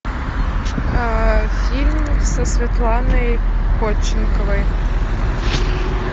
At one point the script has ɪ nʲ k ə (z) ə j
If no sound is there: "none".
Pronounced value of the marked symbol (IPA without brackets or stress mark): v